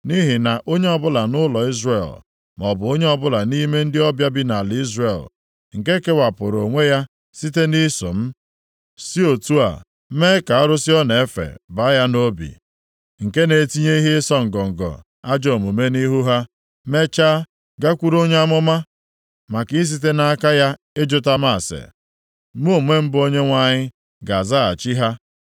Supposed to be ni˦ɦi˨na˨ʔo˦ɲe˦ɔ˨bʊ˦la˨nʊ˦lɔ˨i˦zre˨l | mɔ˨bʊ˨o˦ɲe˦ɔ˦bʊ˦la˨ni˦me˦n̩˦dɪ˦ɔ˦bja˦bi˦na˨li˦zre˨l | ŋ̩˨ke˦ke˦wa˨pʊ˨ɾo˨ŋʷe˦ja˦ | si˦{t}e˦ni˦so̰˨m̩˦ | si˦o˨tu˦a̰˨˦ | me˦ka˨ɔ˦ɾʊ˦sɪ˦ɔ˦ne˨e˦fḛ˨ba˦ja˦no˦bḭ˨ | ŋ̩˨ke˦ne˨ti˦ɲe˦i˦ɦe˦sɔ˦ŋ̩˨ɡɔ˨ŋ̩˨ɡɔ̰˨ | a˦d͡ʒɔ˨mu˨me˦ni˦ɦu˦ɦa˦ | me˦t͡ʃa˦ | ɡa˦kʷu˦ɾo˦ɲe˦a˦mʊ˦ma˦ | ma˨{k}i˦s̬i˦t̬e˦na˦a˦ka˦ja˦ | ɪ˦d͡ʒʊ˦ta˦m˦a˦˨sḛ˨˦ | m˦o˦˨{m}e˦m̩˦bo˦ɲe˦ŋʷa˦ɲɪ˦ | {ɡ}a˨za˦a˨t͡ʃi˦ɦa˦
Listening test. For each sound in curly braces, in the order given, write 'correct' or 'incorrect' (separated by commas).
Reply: correct, correct, correct, correct